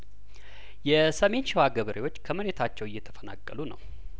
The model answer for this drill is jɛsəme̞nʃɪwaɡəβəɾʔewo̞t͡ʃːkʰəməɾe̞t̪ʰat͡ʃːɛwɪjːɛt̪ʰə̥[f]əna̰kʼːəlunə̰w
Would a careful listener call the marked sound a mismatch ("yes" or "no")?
no